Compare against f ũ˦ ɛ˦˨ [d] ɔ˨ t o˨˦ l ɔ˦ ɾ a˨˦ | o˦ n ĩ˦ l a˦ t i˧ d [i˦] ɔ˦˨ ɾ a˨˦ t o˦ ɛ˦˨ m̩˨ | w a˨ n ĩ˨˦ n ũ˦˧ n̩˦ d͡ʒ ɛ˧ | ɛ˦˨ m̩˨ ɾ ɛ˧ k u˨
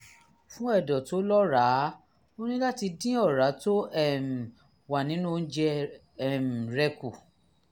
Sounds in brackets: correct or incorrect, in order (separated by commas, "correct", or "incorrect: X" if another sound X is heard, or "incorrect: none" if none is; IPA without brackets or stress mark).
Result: correct, incorrect: ĩ˦